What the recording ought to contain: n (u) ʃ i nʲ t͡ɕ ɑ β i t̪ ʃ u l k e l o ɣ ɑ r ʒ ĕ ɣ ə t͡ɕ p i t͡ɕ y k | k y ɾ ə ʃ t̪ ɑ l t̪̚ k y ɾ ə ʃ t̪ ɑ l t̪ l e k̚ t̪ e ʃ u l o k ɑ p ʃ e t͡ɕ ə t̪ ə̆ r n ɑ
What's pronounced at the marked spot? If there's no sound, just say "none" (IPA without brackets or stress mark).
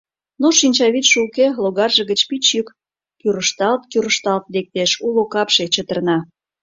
o